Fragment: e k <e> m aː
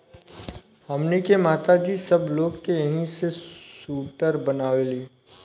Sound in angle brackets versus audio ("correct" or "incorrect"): correct